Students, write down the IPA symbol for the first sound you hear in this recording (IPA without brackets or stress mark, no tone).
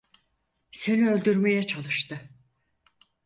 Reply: s